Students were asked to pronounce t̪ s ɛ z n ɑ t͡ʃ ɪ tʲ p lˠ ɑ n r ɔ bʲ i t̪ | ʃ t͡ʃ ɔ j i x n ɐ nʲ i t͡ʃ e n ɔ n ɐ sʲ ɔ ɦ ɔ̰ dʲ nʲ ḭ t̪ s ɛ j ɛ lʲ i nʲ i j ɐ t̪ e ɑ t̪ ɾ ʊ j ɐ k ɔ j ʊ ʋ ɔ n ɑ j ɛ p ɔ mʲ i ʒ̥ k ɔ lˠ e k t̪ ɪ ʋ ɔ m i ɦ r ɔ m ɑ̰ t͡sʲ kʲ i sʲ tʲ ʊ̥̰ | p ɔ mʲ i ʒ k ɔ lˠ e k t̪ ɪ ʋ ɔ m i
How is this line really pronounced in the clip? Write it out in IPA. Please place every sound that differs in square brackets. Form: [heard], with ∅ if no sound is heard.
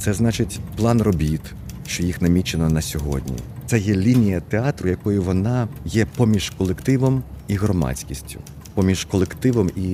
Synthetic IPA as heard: t̪ s ɛ z n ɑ t͡ʃ ɪ tʲ p lˠ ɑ n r ɔ bʲ i t̪ | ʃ t͡ʃ ɔ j i x n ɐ [mʲ] i t͡ʃ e n ɔ n ɐ sʲ ɔ ɦ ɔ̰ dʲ nʲ ḭ t̪ s ɛ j ɛ lʲ i nʲ i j ɐ t̪ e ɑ t̪ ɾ ʊ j ɐ k ɔ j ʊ ʋ ɔ n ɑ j ɛ p ɔ mʲ i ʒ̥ k ɔ lˠ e k t̪ ɪ ʋ ɔ m i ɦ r ɔ m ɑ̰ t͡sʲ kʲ i sʲ tʲ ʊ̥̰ | p ɔ mʲ i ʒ k ɔ lˠ e k t̪ ɪ ʋ ɔ m i